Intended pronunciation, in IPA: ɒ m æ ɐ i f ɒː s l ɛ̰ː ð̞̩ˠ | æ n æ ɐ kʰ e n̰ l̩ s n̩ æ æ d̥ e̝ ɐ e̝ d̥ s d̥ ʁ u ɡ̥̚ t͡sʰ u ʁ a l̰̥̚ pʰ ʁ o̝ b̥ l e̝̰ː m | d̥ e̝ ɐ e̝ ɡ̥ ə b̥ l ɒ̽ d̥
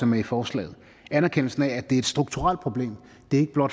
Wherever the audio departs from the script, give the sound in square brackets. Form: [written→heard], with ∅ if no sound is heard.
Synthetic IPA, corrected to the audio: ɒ m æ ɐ i f ɒː s l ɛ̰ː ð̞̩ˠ | æ n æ ɐ kʰ e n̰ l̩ s n̩ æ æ d̥ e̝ ɐ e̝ d̥ s d̥ ʁ u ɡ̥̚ t͡sʰ u ʁ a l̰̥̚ pʰ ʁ o̝ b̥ l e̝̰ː m | d̥ e̝ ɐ e̝ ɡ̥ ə b̥ l ɒ̽ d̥